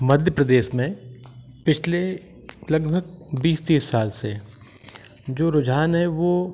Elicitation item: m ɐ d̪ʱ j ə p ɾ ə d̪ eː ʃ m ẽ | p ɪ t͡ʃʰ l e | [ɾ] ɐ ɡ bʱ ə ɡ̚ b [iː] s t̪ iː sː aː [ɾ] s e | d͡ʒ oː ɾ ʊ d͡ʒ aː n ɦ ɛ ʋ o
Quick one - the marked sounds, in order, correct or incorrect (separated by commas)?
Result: incorrect, correct, incorrect